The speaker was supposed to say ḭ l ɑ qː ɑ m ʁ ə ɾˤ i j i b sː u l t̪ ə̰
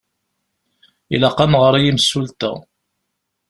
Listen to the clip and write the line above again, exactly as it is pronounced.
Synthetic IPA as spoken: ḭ l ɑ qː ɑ m ʁ ə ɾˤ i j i m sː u l t̪ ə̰